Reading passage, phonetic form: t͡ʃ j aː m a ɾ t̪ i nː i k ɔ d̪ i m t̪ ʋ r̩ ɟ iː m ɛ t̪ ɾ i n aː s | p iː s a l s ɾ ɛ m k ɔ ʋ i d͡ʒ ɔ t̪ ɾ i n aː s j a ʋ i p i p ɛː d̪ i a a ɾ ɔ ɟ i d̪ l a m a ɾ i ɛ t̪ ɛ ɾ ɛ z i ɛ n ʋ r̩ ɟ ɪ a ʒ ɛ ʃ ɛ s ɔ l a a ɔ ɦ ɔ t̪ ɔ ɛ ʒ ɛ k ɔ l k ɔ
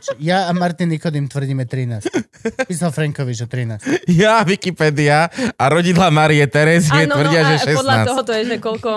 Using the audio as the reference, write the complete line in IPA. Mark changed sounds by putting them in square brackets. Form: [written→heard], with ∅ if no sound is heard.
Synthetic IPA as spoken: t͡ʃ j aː m a ɾ t̪ i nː i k ɔ d̪ i m t̪ ʋ r̩ ɟ iː m ɛ t̪ ɾ i n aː s | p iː s a l [s→f] ɾ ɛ [m→ŋ] k ɔ ʋ i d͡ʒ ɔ t̪ ɾ i n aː s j a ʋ i [p→k] i p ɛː d̪ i a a ɾ ɔ ɟ i d̪ l a m a ɾ i ɛ t̪ ɛ ɾ ɛ z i ɛ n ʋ r̩ ɟ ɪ a ʒ ɛ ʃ ɛ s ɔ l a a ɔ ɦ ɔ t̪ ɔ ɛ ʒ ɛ k ɔ l k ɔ